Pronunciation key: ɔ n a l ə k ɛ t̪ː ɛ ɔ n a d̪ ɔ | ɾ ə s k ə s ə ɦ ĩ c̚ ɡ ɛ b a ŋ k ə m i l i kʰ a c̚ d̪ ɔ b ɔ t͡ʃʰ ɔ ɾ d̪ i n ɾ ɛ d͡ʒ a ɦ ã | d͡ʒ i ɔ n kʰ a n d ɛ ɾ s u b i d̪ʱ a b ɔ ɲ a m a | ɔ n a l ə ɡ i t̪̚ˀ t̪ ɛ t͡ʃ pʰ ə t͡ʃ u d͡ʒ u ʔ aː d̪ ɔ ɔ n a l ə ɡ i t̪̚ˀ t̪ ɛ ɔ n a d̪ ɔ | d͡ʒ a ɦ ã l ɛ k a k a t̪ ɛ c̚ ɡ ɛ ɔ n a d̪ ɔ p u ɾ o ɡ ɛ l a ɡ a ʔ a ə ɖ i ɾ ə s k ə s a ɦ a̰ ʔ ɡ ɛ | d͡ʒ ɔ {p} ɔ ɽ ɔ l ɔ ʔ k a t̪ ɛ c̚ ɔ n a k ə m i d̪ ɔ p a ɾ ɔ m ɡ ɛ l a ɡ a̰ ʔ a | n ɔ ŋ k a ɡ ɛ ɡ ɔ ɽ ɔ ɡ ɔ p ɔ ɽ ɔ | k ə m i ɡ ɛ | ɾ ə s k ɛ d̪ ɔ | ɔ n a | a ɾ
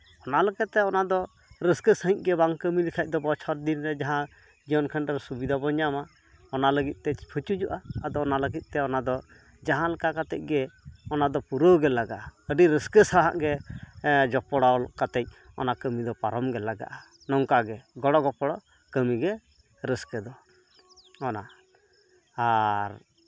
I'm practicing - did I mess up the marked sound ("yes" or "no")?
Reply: no